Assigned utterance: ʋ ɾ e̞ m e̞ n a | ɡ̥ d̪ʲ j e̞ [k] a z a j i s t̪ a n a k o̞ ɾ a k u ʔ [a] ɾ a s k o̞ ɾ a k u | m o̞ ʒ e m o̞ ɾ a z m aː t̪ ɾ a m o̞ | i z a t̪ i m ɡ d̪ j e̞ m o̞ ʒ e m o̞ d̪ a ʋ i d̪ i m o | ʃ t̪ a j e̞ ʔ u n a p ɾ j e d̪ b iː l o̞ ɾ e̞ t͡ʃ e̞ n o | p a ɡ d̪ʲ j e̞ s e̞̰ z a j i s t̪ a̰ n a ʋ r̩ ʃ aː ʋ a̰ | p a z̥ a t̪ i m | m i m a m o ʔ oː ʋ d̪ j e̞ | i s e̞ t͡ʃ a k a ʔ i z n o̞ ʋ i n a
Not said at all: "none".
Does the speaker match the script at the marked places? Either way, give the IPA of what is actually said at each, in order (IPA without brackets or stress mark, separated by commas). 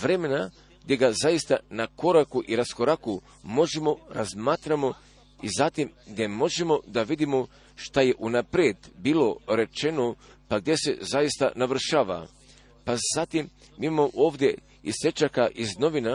ɡ, i